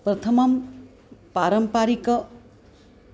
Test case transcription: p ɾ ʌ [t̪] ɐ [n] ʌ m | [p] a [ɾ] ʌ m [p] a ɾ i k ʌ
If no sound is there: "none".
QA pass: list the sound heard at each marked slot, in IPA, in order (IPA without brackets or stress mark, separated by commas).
t̪ʰ, m, p, ɾ, p